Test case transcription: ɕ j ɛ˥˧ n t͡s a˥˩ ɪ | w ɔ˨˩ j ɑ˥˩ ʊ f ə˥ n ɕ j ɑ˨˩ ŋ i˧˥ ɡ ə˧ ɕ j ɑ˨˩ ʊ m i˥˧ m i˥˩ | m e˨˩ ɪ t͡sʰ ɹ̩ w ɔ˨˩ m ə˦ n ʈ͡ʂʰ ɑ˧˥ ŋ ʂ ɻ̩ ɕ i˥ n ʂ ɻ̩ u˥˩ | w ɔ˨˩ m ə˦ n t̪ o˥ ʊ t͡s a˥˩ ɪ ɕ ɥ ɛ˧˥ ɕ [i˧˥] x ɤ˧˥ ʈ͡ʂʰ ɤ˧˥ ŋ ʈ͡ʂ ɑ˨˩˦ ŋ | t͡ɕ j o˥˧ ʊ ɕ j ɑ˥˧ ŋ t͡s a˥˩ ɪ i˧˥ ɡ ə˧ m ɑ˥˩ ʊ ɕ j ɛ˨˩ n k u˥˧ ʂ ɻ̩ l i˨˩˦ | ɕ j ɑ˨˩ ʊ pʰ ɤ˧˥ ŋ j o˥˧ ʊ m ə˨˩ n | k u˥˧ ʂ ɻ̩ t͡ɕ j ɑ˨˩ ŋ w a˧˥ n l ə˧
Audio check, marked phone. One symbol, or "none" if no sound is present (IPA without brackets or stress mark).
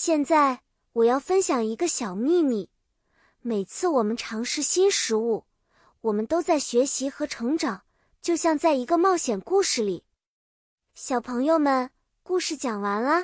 i˧˥